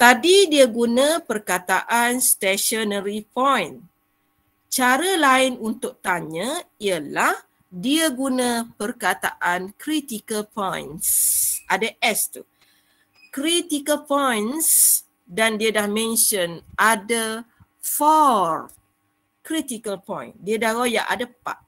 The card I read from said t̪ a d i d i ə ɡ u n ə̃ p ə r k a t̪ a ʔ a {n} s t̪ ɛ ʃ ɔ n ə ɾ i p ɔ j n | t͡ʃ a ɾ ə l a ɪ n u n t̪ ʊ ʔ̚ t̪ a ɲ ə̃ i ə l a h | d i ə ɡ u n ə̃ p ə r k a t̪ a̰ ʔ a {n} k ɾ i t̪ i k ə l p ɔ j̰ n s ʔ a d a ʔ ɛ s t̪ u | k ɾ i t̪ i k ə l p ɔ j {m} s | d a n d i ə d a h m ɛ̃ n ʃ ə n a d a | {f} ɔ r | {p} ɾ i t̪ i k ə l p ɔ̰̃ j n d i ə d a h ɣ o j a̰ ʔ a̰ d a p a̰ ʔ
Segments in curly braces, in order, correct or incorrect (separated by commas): correct, correct, incorrect, correct, incorrect